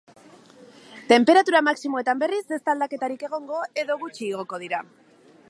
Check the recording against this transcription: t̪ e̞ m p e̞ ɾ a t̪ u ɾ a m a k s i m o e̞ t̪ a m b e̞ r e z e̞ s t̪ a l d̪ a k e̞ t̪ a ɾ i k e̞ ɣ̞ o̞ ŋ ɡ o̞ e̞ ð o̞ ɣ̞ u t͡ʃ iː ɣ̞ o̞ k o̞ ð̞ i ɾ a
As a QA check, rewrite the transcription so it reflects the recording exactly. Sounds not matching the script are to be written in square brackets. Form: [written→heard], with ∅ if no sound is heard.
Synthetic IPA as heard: t̪ e̞ m p e̞ ɾ a t̪ u ɾ a m a k s i m o e̞ t̪ a m b e̞ r [e→i] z e̞ s t̪ a l d̪ a k e̞ t̪ a ɾ i k e̞ ɣ̞ o̞ ŋ ɡ o̞ e̞ ð o̞ ɣ̞ u t͡ʃ iː ɣ̞ o̞ k o̞ ð̞ i ɾ a